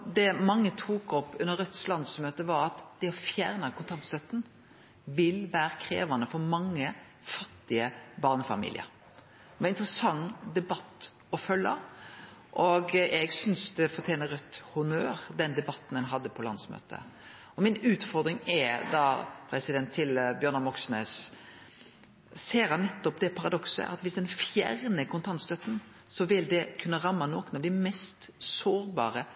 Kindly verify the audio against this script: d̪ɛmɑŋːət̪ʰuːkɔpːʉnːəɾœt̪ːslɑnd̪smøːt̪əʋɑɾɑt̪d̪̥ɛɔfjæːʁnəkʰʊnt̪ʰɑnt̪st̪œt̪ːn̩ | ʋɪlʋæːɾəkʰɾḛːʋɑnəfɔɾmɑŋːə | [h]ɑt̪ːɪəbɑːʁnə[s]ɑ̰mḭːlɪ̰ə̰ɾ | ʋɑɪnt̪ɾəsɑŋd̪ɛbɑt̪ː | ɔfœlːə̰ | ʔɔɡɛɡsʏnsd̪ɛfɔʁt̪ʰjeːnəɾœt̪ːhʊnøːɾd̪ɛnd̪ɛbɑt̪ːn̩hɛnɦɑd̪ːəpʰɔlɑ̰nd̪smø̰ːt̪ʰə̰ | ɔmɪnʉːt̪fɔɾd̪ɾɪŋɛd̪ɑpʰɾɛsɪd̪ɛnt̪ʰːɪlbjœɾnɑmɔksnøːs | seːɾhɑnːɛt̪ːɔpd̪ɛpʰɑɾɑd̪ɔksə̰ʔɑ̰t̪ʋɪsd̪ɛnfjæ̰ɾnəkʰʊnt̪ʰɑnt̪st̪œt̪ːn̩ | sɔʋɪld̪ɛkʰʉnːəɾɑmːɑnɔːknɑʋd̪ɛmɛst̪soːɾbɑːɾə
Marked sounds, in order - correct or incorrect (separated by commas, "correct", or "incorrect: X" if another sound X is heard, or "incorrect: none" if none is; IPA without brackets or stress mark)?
incorrect: f, incorrect: f